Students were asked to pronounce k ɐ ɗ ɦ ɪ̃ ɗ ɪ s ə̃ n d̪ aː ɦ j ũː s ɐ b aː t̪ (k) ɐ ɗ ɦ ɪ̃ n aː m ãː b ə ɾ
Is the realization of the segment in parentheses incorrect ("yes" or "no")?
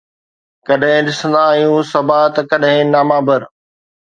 no